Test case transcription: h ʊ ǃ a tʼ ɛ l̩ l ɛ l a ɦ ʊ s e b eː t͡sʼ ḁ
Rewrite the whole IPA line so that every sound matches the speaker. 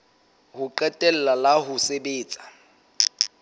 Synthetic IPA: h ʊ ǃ ɛ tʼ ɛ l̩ l a l a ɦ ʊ s e b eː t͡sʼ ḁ